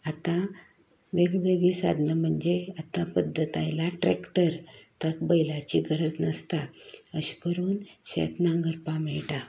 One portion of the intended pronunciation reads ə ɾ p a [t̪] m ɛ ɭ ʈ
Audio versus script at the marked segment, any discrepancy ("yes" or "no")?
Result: yes